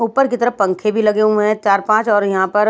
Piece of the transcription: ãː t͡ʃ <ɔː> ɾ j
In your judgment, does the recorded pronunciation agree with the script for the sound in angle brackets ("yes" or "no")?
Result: yes